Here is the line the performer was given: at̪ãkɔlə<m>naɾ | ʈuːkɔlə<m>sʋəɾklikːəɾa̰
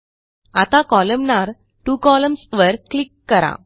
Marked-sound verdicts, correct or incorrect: correct, correct

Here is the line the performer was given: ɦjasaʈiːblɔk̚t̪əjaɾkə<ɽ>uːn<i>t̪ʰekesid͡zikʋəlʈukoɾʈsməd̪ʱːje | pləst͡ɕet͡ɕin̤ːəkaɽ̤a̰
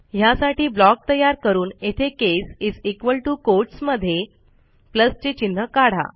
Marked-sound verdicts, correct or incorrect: incorrect: ɾ, incorrect: e

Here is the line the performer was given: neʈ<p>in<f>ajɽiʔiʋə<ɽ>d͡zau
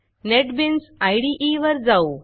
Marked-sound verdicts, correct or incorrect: incorrect: b, incorrect: s, incorrect: ɾ

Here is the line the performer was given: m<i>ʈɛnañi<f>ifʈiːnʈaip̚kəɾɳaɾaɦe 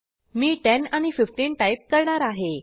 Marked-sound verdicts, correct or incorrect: incorrect: iː, correct

